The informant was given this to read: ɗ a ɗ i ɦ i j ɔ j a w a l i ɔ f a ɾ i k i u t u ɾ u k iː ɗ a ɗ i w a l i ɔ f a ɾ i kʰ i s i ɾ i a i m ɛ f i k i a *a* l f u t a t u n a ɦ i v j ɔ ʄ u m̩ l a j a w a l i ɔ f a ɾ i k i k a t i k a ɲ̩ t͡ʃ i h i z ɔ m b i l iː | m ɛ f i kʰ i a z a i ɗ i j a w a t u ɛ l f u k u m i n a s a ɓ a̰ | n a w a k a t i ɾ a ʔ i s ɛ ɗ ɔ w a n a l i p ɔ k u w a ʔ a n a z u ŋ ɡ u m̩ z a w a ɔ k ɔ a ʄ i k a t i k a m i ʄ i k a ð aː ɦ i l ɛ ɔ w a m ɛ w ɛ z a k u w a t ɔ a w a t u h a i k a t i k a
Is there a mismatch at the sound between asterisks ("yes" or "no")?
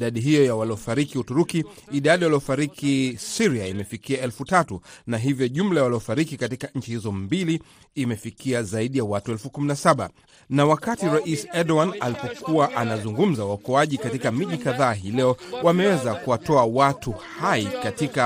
yes